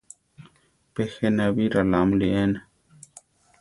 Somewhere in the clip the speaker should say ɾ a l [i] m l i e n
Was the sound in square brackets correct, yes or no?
no